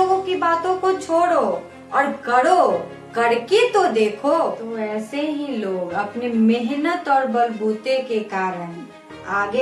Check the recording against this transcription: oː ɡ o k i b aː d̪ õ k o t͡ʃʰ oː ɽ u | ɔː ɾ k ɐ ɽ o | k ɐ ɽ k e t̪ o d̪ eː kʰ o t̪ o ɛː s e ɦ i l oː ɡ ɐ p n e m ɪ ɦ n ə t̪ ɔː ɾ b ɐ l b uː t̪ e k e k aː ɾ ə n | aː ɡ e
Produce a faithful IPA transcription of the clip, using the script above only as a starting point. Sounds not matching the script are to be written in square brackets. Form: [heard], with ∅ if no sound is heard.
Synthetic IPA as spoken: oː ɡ [õ] k i b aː [t̪] õ k o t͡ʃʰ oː ɽ [o] | ɔː ɾ k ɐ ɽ o | k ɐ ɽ k e t̪ o d̪ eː kʰ o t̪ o ɛː s e ɦ i l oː ɡ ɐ p n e m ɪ ɦ n ə t̪ ɔː ɾ b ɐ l b uː t̪ e k e k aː ɾ ə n | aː ɡ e